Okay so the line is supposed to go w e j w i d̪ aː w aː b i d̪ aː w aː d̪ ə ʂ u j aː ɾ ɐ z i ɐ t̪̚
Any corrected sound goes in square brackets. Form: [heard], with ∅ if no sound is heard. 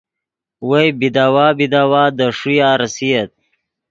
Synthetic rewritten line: w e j [b] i d̪ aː w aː b i d̪ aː w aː d̪ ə ʂ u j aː ɾ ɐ [s] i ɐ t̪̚